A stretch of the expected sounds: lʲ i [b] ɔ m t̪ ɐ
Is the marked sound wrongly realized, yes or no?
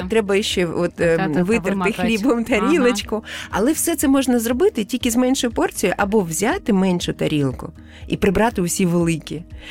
no